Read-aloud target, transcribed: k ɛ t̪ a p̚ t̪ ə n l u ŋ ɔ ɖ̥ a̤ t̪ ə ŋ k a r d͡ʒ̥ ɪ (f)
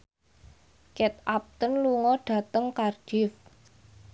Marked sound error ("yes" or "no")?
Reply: no